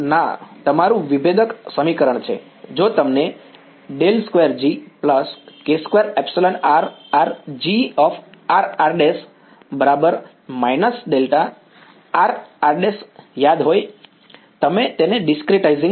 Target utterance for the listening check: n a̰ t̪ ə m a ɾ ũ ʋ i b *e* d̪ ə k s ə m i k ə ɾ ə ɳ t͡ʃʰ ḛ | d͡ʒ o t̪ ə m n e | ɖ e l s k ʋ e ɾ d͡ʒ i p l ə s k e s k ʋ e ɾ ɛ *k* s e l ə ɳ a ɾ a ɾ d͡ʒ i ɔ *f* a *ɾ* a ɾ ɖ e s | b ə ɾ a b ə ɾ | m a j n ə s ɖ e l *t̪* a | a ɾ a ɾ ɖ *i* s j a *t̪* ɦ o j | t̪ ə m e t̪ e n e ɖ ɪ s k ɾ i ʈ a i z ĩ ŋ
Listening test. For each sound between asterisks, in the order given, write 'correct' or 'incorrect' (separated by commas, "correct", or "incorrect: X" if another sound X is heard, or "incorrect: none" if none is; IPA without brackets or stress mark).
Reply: correct, incorrect: p, correct, correct, correct, incorrect: e, incorrect: d̪